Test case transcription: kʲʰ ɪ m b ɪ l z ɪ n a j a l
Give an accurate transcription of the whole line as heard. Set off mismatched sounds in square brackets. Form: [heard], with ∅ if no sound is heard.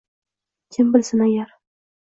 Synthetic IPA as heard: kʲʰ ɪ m b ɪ l [s] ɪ n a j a [ɾ]